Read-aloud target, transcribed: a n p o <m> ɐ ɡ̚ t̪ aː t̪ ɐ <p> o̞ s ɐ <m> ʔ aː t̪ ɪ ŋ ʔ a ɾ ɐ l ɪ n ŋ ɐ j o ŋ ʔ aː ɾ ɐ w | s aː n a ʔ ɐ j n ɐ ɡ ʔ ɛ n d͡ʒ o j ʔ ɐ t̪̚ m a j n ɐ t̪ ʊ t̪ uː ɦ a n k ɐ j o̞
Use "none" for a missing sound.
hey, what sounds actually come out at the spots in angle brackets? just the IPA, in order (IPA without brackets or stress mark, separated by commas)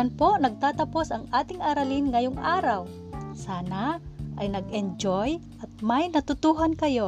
n, p, ŋ